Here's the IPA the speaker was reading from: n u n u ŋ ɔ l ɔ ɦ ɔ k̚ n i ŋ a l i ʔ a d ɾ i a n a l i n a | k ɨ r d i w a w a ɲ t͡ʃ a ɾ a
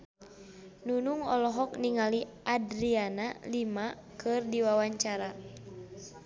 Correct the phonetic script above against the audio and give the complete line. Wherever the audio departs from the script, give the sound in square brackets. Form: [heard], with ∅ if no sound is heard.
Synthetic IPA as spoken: n u n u ŋ ɔ l ɔ ɦ ɔ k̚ n i ŋ a l i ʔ a d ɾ i a n a l i [m] a | k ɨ r d i w a w a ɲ t͡ʃ a ɾ a